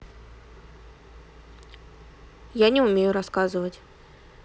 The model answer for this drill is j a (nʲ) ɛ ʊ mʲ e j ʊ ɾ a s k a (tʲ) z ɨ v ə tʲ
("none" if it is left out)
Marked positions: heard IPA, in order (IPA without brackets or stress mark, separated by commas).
nʲ, none